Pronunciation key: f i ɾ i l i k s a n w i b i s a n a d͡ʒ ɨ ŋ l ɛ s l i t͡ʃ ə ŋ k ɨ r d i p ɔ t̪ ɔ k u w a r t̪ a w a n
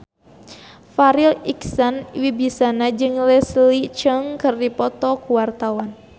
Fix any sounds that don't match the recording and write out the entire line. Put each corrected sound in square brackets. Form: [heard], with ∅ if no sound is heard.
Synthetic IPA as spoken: f [a] ɾ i l i k s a n w i b i s a n a d͡ʒ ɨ ŋ l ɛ s l i t͡ʃ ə ŋ k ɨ r d i p ɔ t̪ ɔ k u w a r t̪ a w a n